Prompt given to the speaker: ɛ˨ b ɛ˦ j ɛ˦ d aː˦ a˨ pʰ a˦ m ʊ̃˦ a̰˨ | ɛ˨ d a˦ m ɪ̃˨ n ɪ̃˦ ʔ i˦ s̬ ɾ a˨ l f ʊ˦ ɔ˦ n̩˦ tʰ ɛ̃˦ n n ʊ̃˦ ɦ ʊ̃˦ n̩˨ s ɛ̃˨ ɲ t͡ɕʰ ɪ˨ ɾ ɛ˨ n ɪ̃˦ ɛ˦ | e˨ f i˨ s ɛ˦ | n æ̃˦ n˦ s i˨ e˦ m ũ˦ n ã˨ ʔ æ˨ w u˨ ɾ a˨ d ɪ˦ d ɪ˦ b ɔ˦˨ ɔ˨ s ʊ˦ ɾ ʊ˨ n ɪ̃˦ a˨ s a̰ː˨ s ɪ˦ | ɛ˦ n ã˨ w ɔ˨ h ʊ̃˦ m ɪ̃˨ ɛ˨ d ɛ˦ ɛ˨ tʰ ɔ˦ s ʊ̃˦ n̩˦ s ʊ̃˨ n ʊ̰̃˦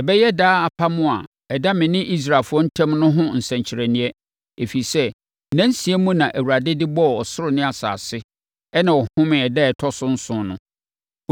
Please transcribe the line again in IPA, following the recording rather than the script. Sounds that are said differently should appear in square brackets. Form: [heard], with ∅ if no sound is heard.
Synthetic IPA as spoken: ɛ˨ b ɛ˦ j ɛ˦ d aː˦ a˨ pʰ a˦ m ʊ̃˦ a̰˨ | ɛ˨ d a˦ m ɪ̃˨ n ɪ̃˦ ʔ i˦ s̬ ɾ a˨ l f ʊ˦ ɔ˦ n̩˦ tʰ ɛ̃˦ [m] n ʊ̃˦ ɦ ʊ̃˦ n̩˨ s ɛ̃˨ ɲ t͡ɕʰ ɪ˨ ɾ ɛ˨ n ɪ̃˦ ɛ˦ | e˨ f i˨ s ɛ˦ | n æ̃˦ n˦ s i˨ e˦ m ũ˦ n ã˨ ʔ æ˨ w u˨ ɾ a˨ d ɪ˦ d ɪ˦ b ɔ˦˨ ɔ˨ s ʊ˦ ɾ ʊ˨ n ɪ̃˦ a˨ s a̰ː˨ s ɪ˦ | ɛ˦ n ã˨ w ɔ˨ h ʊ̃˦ m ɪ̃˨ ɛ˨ d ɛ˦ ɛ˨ tʰ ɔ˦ s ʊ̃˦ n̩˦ s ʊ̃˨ n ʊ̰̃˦